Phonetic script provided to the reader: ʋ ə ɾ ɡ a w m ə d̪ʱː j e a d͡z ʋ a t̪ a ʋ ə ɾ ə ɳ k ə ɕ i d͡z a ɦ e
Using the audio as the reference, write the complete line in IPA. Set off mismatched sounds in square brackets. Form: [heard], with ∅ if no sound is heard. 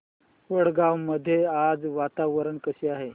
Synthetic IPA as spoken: ʋ ə [ɽ] ɡ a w m ə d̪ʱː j e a d͡z ʋ a t̪ a ʋ ə ɾ ə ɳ k ə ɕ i [∅] a ɦ e